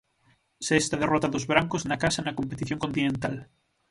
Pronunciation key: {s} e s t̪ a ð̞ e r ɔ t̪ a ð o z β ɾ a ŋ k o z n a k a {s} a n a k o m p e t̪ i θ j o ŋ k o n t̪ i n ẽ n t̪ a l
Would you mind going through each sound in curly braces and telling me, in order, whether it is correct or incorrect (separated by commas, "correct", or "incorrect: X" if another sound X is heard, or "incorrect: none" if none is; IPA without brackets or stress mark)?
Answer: correct, correct